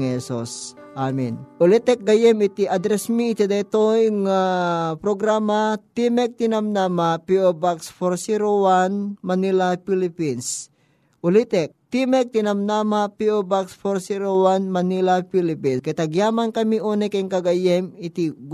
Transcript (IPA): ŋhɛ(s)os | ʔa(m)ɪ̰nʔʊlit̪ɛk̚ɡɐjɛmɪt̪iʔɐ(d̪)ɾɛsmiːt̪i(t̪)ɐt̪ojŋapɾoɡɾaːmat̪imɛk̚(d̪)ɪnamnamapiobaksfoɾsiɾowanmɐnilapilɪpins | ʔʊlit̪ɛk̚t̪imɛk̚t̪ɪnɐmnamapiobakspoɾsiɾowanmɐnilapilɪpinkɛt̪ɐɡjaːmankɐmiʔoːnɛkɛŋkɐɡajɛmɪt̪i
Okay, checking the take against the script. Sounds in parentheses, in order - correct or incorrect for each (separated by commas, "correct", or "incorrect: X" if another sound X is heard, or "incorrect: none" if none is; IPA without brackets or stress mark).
correct, correct, correct, incorrect: d̪, incorrect: t̪